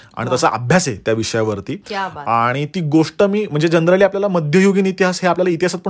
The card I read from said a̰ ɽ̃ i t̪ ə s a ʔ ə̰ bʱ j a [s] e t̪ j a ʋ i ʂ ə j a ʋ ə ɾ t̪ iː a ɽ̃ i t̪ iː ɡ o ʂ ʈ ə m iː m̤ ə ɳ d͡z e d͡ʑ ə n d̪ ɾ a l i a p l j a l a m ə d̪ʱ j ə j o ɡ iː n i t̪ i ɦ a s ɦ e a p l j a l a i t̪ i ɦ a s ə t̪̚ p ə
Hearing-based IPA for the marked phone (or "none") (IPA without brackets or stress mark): s